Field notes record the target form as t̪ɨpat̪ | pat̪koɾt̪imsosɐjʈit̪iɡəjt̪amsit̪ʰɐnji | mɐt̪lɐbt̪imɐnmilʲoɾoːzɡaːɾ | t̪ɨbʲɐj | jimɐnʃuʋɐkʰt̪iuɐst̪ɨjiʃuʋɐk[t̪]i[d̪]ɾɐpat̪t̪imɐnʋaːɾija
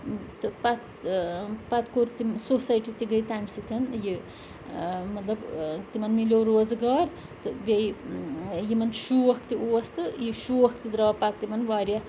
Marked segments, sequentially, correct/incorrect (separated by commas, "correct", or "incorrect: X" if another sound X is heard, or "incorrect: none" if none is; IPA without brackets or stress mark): correct, correct